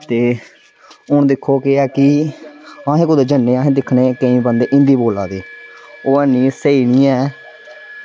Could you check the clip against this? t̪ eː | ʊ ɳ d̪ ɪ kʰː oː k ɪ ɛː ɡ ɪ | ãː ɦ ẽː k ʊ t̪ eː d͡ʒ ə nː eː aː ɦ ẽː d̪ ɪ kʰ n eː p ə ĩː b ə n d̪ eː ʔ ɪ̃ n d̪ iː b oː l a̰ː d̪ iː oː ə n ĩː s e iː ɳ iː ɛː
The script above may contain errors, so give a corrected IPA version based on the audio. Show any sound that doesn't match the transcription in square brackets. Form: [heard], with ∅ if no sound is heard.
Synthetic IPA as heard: t̪ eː | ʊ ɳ d̪ ɪ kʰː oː k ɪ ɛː [k] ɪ | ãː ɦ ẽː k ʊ [d̪] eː d͡ʒ ə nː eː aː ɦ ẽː d̪ ɪ kʰ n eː [k] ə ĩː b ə n d̪ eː ʔ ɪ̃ n d̪ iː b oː l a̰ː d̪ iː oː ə n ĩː s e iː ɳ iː ɛː